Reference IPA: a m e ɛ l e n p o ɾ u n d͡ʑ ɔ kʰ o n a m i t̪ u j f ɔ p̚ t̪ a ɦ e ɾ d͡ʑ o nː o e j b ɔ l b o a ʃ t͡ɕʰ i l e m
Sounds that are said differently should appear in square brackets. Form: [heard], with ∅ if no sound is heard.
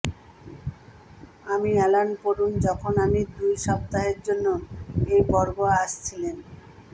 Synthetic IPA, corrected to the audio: a m [i] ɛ l [a] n p o ɾ u n d͡ʑ ɔ kʰ o n a m i [d̪] u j [ʃ] ɔ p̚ t̪ a ɦ e ɾ d͡ʑ o nː o e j b ɔ [ɾ] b o a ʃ t͡ɕʰ i l e [n]